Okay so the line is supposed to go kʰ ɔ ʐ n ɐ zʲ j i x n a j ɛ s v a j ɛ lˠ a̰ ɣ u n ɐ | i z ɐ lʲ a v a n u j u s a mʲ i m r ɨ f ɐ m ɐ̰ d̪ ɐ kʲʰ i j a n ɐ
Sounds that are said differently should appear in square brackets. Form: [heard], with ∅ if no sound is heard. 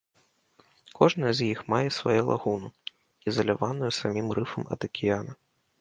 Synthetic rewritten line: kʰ ɔ ʐ n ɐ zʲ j i x [m] a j ɛ s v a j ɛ lˠ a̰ ɣ u n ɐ | i z ɐ lʲ a v a n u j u s a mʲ i m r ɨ f ɐ m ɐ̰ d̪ ɐ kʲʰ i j a n ɐ